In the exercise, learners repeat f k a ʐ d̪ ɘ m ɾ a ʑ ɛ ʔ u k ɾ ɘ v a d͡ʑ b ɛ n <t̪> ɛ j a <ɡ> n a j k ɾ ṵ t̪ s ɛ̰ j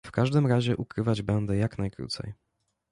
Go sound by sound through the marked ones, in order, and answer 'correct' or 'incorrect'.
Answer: incorrect, incorrect

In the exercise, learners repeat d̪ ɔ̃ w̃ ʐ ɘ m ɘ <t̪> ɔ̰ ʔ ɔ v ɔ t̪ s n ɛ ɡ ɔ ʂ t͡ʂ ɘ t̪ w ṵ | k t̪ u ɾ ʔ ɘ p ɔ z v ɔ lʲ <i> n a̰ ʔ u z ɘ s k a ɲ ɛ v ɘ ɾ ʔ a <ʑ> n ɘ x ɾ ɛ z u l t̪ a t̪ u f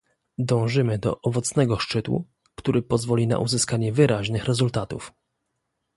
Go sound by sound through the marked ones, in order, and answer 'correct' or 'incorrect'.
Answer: incorrect, correct, correct

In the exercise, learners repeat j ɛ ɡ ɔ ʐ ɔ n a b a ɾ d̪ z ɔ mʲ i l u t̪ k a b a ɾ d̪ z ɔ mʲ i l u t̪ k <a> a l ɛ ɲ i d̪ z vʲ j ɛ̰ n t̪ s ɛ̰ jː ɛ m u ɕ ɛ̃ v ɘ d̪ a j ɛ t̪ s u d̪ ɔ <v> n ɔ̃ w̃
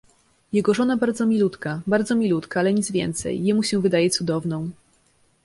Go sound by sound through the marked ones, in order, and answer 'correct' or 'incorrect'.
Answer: correct, correct

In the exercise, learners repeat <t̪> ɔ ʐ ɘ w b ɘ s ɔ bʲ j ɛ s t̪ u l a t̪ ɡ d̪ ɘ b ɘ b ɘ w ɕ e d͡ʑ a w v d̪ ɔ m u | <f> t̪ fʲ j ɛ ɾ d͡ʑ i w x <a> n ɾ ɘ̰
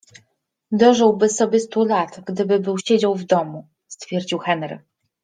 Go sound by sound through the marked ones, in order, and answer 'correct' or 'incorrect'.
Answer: incorrect, incorrect, incorrect

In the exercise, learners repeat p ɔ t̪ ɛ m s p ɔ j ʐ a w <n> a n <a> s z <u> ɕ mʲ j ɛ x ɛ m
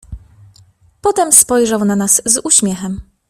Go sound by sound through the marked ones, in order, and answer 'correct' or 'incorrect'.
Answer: correct, correct, correct

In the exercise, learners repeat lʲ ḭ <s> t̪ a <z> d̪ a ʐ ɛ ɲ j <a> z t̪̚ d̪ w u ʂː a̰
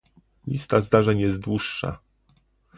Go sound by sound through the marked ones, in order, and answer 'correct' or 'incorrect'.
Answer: correct, correct, incorrect

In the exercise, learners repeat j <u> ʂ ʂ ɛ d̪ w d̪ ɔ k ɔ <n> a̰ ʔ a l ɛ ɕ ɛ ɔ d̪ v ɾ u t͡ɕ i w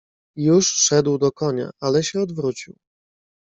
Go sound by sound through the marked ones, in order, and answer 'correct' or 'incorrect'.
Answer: correct, incorrect

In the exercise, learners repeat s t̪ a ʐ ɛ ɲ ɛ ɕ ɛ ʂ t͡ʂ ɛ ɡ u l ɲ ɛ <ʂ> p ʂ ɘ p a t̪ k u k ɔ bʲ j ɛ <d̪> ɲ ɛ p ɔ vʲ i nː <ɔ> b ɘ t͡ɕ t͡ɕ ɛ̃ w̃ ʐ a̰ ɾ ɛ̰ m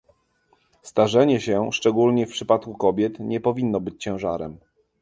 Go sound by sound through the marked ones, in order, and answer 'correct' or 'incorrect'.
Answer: incorrect, incorrect, correct

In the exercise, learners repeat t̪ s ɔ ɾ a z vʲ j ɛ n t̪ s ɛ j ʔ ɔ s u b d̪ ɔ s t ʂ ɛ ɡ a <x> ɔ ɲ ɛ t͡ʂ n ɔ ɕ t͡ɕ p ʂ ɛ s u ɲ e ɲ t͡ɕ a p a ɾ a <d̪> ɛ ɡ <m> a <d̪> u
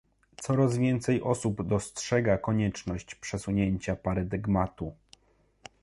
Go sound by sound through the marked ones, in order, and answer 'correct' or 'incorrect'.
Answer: incorrect, correct, correct, incorrect

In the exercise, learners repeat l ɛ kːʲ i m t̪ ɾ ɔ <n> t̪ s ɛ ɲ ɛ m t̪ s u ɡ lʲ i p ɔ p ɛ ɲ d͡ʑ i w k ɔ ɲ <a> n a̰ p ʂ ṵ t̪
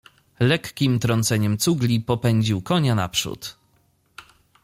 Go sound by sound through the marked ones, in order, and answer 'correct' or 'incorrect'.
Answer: correct, correct

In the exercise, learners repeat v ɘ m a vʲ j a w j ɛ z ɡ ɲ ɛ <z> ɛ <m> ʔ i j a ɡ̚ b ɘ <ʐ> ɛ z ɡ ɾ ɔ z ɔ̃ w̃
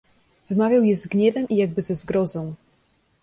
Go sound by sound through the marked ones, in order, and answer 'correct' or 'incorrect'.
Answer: incorrect, correct, incorrect

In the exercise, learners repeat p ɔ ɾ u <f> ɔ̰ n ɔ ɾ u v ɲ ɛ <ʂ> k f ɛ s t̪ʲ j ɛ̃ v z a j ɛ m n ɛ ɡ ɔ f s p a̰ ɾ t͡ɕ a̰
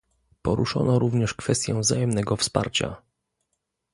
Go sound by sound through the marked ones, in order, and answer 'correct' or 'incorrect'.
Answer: incorrect, correct

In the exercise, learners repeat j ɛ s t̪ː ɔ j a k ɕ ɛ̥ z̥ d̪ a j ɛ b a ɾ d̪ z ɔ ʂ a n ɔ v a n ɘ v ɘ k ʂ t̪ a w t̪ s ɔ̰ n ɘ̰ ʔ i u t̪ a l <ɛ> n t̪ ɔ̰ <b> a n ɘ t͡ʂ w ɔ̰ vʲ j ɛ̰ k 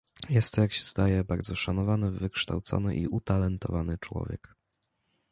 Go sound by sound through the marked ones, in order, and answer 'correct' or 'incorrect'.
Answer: correct, incorrect

